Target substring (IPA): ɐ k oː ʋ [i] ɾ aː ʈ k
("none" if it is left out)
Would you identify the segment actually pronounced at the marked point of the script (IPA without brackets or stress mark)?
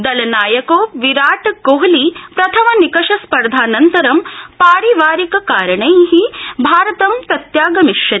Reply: i